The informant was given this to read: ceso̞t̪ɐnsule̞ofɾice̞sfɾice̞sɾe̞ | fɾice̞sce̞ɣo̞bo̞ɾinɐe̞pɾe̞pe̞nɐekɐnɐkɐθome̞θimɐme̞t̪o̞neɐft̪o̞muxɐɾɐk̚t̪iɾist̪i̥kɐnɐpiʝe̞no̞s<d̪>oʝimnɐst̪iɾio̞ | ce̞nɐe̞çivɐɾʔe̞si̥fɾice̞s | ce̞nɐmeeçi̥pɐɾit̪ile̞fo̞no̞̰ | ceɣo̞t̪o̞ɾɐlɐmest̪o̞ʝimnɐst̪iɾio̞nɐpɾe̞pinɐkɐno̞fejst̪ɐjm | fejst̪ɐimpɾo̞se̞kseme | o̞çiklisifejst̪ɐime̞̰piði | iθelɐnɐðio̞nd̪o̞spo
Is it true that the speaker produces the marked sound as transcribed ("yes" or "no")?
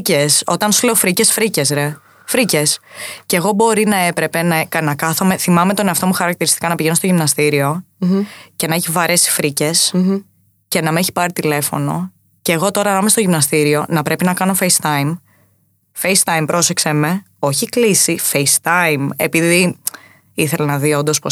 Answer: no